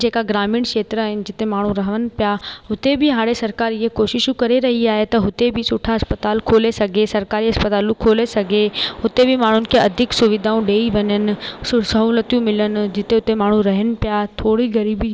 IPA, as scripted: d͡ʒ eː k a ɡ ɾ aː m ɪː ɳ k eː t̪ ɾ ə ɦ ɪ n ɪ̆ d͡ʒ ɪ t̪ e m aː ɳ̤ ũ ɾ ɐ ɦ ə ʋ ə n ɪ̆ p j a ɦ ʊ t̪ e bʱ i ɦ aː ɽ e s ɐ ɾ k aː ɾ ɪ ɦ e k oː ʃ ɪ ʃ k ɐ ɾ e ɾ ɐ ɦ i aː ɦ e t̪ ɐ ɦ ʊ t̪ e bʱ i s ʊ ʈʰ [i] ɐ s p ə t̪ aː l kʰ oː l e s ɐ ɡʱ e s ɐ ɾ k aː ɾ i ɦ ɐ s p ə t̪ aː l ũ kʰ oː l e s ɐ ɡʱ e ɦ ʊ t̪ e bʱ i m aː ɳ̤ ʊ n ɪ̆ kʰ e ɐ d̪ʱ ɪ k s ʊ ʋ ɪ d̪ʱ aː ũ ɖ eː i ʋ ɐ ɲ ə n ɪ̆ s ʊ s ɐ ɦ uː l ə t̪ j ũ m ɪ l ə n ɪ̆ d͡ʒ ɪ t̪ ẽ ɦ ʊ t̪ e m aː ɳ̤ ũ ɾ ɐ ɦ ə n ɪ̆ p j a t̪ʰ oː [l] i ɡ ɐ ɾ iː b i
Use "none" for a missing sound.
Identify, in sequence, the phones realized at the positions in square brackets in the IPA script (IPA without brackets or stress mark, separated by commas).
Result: a, ɽ